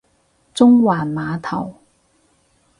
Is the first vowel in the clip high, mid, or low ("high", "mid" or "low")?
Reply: high